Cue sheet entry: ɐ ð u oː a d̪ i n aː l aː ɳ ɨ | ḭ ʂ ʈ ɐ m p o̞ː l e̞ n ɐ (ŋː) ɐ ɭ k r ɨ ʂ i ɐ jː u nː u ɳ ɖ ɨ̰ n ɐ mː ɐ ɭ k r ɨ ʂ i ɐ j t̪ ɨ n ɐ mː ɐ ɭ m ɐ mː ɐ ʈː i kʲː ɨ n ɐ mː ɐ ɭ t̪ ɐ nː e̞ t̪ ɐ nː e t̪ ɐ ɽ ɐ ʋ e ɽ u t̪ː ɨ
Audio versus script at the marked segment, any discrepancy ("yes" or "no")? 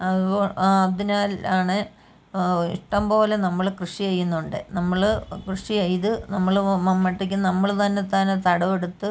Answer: yes